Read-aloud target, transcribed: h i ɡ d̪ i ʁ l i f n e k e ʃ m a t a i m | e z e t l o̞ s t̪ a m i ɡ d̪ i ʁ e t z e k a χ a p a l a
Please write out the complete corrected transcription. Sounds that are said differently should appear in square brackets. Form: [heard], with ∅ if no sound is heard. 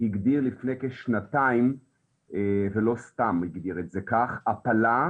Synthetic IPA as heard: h i ɡ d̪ i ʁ l i f n e k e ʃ [n] a t a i m | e [v] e [∅] l o̞ s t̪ a m i ɡ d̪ i ʁ e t z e k a χ a p a l a